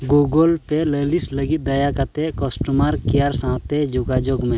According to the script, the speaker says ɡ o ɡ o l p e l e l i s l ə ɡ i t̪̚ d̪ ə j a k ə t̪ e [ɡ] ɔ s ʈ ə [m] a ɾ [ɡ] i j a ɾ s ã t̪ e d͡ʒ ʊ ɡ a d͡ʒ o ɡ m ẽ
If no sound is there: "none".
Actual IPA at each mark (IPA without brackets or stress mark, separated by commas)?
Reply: k, m, k